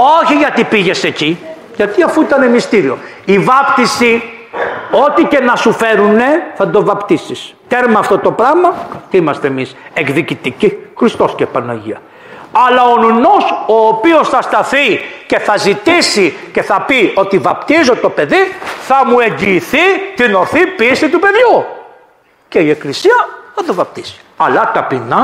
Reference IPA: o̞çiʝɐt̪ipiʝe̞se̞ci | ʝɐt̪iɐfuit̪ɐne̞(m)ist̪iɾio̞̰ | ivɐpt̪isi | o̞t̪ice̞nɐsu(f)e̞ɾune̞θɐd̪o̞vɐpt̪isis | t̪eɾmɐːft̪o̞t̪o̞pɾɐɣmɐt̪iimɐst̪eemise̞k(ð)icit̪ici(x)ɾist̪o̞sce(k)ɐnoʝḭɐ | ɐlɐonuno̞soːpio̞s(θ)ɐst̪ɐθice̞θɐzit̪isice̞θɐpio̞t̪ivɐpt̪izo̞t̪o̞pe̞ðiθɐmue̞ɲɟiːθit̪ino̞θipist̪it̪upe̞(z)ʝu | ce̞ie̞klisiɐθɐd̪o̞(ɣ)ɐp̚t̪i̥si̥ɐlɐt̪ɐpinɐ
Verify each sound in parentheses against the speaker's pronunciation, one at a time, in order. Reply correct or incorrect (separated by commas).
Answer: correct, correct, correct, correct, incorrect, correct, incorrect, incorrect